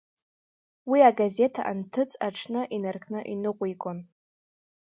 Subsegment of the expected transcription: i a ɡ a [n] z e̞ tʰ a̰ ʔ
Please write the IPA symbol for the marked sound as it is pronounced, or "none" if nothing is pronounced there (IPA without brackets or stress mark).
none